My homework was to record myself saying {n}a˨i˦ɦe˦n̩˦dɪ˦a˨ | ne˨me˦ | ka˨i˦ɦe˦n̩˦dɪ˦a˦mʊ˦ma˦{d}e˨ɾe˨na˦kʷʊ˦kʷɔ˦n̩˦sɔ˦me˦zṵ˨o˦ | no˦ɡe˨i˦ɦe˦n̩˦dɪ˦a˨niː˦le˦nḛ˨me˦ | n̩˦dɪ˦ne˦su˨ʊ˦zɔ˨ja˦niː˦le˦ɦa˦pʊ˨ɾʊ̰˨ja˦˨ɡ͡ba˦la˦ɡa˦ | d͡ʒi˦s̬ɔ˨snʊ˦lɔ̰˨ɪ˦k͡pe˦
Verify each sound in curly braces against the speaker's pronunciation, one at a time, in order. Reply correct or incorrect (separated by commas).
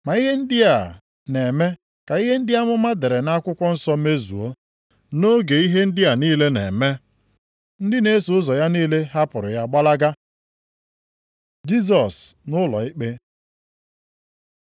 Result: incorrect, correct